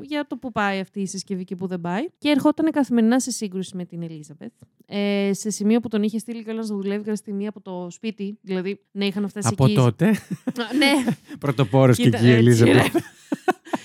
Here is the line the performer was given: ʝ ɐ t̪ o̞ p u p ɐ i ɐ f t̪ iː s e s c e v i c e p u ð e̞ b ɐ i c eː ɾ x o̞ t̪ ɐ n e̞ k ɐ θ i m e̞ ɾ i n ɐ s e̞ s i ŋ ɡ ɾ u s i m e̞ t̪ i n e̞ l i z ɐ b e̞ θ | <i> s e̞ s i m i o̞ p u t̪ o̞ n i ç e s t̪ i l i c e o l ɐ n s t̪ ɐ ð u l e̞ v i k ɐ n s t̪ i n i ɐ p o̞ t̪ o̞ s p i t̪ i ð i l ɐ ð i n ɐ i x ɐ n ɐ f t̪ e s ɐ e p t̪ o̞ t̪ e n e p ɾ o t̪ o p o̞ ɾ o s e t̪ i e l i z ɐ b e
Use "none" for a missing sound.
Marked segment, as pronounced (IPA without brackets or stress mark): e